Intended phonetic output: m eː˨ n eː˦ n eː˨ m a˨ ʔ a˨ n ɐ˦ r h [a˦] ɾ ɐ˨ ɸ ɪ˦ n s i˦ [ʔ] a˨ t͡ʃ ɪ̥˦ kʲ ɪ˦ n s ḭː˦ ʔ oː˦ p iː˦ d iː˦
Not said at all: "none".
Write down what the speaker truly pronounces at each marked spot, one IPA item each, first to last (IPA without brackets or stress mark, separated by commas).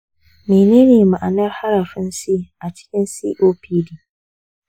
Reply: a˦, ʔ